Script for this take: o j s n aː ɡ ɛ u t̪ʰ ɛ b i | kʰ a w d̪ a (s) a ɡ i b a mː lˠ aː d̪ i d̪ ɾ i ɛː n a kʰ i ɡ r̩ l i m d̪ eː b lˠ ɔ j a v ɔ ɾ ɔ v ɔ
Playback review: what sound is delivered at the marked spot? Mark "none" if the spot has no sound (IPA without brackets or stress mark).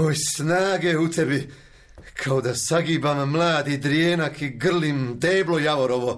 s